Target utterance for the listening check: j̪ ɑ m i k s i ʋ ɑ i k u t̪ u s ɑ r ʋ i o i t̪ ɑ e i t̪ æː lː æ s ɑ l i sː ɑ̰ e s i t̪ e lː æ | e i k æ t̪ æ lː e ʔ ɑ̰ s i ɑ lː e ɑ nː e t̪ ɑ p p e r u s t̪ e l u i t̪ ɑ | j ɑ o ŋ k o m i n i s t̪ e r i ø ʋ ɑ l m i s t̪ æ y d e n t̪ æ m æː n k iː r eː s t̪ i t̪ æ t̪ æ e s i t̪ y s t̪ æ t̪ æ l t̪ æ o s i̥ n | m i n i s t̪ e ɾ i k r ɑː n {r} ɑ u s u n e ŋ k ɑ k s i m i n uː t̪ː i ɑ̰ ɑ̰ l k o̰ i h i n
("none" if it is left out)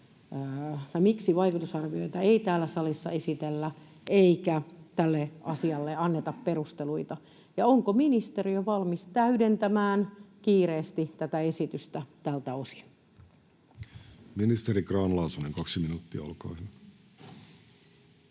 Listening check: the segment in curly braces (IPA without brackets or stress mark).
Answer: l